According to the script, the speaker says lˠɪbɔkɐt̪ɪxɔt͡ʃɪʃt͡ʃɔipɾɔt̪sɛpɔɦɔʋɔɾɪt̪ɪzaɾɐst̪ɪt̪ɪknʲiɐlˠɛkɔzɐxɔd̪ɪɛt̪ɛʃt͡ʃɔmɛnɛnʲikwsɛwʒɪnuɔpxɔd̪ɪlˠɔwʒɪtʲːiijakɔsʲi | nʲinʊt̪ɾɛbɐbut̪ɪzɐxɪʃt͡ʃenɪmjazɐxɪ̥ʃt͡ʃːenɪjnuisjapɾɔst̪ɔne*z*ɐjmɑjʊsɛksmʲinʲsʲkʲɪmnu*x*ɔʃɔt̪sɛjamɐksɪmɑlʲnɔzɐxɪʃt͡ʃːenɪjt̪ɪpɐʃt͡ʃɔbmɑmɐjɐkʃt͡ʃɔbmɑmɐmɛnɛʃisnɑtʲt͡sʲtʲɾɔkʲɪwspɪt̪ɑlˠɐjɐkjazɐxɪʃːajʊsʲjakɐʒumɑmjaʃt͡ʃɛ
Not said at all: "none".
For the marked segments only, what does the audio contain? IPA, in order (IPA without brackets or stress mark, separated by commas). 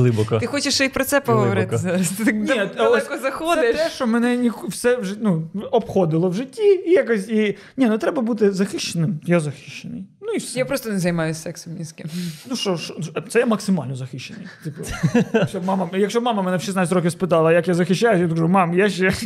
z, ʃ